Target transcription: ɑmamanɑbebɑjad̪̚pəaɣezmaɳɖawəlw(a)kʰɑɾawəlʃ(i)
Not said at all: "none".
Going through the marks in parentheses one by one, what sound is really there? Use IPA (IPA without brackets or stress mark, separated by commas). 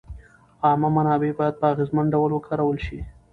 ə, i